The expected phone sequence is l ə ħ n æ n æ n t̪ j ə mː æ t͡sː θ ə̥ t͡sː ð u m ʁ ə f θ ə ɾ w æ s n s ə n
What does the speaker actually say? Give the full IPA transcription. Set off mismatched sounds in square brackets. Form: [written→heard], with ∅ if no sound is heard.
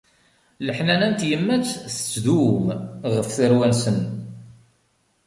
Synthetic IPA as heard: l ə ħ n æ n æ n t̪ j ə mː æ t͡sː θ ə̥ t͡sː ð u m ʁ ə f θ ə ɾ w æ [s→∅] n s ə n

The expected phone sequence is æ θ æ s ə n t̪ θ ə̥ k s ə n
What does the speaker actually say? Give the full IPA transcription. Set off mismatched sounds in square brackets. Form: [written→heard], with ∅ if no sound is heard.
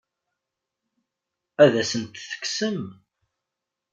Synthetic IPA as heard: æ [θ→ð] æ s ə n t̪ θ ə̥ k s ə [n→m]

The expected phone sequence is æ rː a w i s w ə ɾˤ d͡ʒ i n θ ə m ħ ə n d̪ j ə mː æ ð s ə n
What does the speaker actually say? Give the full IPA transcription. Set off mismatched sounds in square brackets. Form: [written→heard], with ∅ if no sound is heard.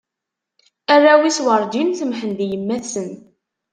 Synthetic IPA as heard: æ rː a w i s w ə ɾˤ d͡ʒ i n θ ə m ħ ə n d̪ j ə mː æ [ð→θ] s ə n

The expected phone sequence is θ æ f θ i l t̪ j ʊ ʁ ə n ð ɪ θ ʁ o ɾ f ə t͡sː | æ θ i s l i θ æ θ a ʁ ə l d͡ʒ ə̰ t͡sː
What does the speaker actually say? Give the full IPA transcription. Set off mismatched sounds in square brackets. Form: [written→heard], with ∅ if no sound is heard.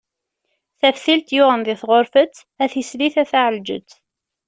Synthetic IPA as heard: θ æ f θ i l t̪ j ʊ ʁ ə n ð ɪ θ ʁ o ɾ f ə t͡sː | æ θ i s l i θ æ θ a [ʁ→ʕ] ə l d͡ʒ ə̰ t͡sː

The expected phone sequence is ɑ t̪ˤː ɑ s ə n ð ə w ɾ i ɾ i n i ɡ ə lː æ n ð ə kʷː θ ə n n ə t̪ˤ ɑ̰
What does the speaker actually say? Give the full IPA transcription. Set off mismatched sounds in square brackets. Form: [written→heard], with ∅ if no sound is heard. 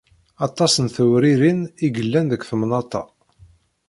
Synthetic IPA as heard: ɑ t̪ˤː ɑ s ə n [ð→θ] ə w ɾ i ɾ i n i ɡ ə lː æ n ð ə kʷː θ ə [n→m] n [ə→ɑ] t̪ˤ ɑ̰

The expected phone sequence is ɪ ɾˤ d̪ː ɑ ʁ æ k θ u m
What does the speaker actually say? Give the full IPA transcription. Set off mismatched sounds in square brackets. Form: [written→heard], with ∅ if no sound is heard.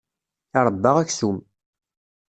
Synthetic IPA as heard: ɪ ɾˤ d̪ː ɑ ʁ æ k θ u m

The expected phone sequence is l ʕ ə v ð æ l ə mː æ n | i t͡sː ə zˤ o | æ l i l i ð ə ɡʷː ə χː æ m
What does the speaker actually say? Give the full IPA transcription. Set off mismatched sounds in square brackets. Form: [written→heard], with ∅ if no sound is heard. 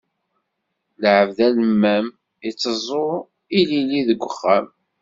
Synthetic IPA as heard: l ʕ ə v ð æ l ə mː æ [n→m] | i t͡sː ə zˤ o | [æ→i] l i l i ð ə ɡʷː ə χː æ m

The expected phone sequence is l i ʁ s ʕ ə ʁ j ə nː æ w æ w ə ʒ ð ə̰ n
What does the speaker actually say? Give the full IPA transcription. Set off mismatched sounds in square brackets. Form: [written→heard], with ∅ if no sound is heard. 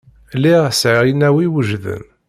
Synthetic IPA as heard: l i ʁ s ʕ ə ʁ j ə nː æ w [æ→i] w ə ʒ ð ə̰ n

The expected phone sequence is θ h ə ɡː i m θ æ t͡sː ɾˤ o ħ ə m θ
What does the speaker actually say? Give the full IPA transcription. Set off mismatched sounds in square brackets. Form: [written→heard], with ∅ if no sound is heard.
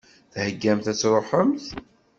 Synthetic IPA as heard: θ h ə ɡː [i→æ] m θ æ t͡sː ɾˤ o ħ ə m θ

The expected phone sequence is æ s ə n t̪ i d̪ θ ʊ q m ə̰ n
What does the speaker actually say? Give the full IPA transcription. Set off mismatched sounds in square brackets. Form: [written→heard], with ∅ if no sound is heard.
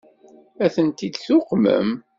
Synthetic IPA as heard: æ [s→θ] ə n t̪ i d̪ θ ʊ q m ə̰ [n→m]

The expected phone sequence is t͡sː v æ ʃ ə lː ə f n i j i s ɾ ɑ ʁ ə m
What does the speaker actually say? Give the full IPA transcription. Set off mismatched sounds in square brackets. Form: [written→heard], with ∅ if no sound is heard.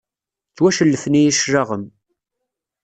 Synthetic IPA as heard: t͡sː [v→w] æ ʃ ə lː ə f n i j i [s→ʃ] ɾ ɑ ʁ ə m

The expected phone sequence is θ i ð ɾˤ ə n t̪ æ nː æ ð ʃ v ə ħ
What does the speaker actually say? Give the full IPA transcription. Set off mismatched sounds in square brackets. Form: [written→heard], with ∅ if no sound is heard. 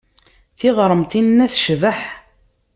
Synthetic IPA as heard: θ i [ð→ʁ] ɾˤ ə [n→m] t̪ [æ→i] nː æ [ð→θ] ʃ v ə ħ

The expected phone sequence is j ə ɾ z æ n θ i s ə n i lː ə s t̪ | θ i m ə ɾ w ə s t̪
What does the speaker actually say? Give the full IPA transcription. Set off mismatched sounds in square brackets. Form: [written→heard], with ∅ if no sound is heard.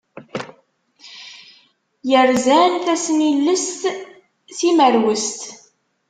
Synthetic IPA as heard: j ə ɾ z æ n θ [i→æ] s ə n i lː ə s t̪ | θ i m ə ɾ w ə s t̪

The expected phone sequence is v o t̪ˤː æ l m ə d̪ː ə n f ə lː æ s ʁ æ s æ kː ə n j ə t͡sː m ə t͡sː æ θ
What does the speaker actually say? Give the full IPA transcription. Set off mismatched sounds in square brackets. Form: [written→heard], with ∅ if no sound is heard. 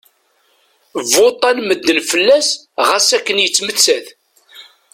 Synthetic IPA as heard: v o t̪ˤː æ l m ə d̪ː ə n f ə lː æ s ʁ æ s æ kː ə n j ə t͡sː m ə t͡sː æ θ

